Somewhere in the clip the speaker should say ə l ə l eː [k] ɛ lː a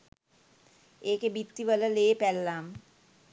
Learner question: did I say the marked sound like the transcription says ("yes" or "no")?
no